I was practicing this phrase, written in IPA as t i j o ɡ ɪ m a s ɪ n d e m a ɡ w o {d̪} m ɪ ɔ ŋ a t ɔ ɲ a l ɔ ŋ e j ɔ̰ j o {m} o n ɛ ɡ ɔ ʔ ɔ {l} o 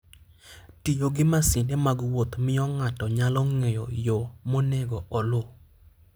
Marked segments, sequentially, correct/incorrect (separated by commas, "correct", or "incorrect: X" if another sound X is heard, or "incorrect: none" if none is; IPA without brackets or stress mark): incorrect: t̪, correct, correct